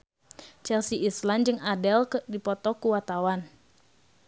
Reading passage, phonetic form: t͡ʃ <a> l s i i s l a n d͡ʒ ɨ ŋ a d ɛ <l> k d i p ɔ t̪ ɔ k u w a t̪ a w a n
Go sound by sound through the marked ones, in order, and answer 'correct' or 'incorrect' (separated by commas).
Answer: incorrect, correct